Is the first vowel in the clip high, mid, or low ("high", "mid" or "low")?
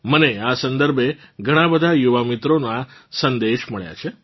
mid